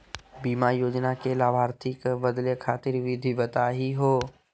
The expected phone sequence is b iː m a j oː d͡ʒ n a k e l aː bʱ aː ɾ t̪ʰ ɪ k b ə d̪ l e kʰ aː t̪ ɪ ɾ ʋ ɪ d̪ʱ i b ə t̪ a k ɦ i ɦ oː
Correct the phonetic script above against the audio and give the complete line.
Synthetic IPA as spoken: b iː m a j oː d͡ʒ n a k e l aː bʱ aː ɾ t̪ʰ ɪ k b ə d̪ l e kʰ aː t̪ ɪ ɾ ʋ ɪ d̪ʱ i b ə t̪ a ɦ i ɦ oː